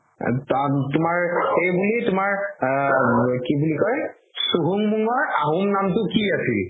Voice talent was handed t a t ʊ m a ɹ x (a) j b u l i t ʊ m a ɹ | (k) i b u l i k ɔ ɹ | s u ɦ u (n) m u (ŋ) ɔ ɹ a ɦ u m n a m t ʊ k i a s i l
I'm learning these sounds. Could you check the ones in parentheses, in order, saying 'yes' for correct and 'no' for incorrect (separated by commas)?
no, yes, no, yes